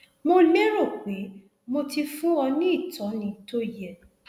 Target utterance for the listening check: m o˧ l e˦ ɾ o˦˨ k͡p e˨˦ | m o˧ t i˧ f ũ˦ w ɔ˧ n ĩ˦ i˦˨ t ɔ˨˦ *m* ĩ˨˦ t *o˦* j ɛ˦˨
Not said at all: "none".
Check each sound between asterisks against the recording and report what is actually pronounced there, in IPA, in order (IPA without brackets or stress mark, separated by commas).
n, o˦